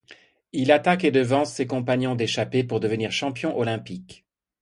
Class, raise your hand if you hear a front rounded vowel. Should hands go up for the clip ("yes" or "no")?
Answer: no